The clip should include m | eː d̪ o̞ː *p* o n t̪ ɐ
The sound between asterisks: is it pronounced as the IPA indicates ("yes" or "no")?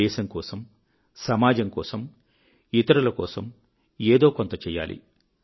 no